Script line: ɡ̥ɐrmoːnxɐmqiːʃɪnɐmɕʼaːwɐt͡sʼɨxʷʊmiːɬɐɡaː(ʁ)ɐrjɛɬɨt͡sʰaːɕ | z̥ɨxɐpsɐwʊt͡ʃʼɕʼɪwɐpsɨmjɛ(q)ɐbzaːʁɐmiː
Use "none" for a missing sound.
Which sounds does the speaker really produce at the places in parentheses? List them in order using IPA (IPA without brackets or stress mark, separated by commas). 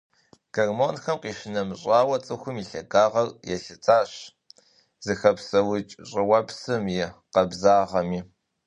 ʁ, q